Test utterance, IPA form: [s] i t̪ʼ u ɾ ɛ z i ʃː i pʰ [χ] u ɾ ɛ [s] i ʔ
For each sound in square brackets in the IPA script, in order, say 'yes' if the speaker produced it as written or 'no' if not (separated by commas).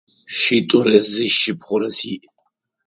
no, yes, yes